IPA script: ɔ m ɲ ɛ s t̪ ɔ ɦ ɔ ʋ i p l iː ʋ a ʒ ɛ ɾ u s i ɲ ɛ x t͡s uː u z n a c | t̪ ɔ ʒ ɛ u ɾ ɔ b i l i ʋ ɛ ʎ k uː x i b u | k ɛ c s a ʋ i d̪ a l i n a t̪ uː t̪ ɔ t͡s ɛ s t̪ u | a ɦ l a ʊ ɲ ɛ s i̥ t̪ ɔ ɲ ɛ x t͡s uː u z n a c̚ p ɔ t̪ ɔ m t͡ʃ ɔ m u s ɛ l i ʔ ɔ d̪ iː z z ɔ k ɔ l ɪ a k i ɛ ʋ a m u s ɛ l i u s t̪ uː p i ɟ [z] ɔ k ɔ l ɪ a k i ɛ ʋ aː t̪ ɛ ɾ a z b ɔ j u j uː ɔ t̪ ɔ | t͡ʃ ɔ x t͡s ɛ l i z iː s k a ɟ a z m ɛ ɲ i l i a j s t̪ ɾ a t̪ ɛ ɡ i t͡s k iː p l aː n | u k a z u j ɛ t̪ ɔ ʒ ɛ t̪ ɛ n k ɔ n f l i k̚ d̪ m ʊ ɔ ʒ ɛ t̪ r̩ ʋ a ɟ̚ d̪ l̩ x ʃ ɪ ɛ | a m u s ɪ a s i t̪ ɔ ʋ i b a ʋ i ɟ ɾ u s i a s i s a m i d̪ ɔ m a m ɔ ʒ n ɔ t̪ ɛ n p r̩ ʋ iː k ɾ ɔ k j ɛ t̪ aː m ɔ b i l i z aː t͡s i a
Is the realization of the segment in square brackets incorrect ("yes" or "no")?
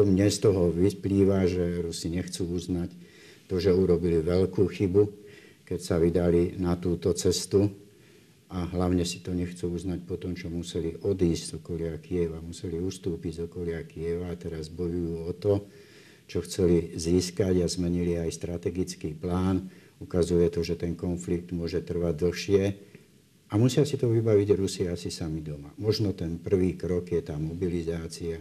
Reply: no